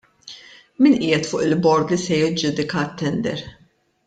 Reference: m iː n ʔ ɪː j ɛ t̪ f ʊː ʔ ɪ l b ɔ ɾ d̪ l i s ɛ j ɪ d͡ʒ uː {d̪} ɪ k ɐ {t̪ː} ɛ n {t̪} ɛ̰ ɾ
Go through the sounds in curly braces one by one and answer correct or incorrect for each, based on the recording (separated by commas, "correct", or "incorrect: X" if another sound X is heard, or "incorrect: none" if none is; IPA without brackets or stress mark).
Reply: correct, correct, incorrect: d̪